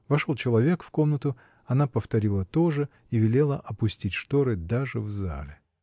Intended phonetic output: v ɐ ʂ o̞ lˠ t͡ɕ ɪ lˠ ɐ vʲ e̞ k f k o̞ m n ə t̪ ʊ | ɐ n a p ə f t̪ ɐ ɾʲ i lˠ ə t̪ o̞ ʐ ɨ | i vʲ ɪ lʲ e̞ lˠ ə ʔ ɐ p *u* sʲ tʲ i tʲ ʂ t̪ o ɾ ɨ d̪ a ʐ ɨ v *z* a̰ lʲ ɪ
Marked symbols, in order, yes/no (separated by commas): no, yes